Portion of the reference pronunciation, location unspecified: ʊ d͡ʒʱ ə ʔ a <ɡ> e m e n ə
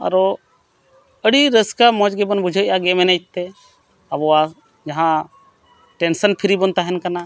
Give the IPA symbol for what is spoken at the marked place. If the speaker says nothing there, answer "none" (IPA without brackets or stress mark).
ɡ